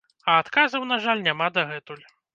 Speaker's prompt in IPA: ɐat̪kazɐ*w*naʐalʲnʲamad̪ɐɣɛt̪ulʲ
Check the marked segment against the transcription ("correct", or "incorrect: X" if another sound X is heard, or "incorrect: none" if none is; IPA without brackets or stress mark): correct